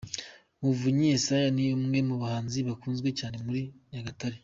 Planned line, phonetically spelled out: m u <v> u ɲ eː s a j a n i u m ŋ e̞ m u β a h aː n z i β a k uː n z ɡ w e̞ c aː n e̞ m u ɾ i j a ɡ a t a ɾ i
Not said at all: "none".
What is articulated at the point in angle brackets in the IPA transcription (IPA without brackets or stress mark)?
v